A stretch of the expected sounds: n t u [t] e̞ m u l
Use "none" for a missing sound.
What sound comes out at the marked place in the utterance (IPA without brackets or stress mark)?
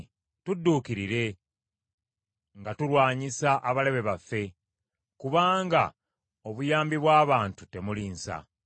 t